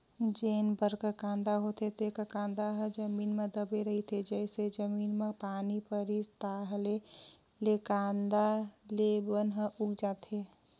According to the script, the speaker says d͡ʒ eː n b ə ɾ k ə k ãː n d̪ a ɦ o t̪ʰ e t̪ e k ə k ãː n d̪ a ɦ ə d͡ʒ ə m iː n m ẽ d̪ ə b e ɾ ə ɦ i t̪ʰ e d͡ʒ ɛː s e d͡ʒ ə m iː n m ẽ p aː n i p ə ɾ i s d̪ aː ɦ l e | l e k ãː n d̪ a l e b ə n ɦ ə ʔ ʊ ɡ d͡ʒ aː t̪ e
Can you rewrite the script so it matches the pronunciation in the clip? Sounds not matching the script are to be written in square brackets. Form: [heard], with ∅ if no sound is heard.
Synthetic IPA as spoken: d͡ʒ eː n b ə ɾ k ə k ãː n d̪ a ɦ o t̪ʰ e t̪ e k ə k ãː n d̪ a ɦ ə d͡ʒ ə m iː n m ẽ d̪ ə b e ɾ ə ɦ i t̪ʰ e d͡ʒ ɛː s e d͡ʒ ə m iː n m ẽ p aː n i p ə ɾ i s [t̪] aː ɦ l e | l e k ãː n d̪ a l e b ə n ɦ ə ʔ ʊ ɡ d͡ʒ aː t̪ e